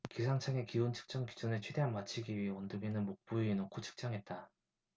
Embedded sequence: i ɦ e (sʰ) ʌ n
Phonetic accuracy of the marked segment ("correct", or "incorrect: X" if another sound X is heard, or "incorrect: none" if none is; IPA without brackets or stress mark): incorrect: none